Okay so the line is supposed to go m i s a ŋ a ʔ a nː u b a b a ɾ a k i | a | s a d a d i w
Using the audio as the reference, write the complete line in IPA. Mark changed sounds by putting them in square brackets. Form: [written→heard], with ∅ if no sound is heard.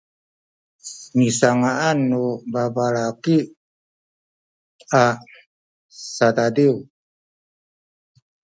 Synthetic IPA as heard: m i s a ŋ a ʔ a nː u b a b a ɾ a k i | a | s a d a d i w